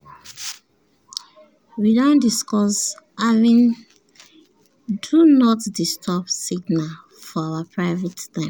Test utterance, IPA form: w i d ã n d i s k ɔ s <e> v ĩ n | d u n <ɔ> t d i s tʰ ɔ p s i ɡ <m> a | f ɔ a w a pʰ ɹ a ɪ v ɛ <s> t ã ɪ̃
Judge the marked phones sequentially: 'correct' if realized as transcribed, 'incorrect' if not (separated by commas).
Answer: incorrect, correct, incorrect, incorrect